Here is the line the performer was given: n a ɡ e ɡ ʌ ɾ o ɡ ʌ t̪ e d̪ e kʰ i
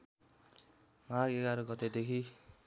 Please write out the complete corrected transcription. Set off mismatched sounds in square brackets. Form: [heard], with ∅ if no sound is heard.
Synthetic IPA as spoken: [m] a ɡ e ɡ [a] ɾ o ɡ ʌ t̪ e d̪ e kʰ i